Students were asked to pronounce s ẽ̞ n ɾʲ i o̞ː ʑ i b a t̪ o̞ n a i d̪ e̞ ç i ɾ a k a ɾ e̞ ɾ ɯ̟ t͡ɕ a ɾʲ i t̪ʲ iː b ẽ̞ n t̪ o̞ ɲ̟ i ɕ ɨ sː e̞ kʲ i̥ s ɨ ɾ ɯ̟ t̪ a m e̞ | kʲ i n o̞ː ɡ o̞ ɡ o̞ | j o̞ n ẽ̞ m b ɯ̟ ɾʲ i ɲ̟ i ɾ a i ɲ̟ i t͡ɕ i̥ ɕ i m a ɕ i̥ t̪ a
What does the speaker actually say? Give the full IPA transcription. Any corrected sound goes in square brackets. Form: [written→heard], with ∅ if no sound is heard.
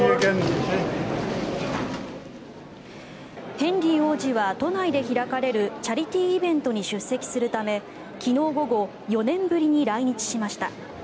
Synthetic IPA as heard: [s→h] ẽ̞ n ɾʲ i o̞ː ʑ i [b→β] a t̪ o̞ n a i d̪ e̞ ç i ɾ a k a ɾ e̞ ɾ ɯ̟ t͡ɕ a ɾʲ i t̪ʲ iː b ẽ̞ n t̪ o̞ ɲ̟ i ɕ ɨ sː e̞ kʲ i̥ s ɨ ɾ ɯ̟ t̪ a m e̞ | kʲ i n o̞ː ɡ o̞ ɡ o̞ | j o̞ n ẽ̞ m b ɯ̟ ɾʲ i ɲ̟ i ɾ a i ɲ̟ i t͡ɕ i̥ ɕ i m a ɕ i̥ t̪ a